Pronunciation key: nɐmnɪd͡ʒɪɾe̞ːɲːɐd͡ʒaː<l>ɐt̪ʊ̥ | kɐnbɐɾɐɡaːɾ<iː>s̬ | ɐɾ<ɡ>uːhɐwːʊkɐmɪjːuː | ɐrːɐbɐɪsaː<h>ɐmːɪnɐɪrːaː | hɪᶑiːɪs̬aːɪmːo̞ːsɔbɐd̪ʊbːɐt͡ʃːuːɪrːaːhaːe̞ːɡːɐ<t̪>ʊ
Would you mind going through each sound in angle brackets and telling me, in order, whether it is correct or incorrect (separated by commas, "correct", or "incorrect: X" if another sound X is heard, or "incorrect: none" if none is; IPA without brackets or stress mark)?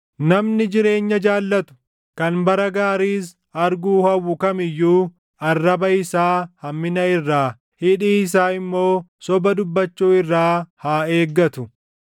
incorrect: lː, correct, correct, correct, correct